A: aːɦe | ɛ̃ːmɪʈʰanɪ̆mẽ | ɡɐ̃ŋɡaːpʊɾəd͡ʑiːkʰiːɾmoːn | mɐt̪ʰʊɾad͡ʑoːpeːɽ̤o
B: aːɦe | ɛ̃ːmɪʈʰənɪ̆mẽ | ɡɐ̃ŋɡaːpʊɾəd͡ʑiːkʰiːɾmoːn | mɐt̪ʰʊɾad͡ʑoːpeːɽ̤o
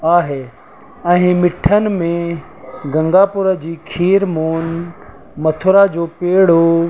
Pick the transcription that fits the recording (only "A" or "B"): B